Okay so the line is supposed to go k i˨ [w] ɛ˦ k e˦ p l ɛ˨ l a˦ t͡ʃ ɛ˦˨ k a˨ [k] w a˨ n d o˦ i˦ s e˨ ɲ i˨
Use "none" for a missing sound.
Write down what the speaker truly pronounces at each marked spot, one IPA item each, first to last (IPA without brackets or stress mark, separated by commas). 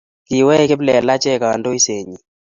w, none